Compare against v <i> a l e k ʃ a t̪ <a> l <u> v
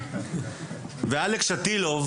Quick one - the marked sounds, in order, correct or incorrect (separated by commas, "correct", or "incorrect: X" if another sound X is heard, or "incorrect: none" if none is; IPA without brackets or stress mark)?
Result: incorrect: e, incorrect: i, incorrect: o